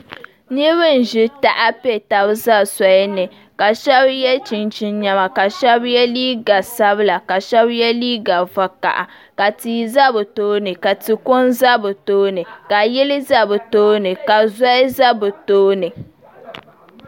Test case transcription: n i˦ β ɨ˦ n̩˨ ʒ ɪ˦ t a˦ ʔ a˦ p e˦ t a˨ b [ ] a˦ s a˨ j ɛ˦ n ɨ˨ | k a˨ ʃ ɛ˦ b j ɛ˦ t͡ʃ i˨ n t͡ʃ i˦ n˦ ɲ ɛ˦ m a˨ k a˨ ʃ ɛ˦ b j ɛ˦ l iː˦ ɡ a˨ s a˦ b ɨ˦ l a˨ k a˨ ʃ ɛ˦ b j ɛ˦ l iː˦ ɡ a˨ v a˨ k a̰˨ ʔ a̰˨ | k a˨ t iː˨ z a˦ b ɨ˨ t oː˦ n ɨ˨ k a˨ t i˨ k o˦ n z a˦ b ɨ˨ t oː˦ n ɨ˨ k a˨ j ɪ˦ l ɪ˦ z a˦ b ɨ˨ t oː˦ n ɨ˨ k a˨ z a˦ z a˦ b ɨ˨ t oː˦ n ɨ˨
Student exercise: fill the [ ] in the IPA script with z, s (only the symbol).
z